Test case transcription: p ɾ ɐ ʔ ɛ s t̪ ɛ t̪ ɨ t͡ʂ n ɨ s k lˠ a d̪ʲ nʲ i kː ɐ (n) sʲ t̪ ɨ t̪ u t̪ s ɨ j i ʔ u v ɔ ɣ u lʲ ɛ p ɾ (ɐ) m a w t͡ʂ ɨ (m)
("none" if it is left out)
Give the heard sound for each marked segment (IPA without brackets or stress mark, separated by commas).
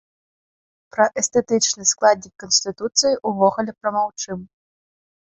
n, ɐ, m